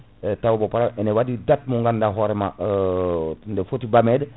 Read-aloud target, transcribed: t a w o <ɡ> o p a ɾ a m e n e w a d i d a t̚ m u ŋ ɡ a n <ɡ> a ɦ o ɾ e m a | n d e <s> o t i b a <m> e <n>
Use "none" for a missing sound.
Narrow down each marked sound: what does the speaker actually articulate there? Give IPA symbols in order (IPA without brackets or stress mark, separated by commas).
b, d, f, m, d